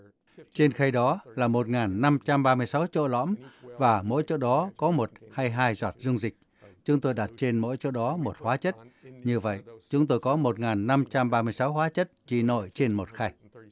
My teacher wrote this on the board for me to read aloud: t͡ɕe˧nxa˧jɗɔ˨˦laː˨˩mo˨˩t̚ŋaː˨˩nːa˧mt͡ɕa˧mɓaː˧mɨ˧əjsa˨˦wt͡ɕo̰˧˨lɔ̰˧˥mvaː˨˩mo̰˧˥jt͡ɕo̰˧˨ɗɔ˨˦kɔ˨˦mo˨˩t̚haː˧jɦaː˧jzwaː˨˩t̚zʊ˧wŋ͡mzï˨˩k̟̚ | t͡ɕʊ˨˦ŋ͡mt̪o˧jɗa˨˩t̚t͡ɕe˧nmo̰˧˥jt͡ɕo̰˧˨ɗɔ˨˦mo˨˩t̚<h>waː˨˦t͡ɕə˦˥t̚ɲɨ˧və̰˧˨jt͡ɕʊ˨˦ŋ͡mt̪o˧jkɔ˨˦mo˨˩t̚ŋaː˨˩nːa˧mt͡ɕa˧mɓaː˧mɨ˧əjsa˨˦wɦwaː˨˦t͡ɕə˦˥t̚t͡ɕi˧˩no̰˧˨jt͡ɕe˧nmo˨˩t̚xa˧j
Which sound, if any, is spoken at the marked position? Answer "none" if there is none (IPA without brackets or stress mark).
h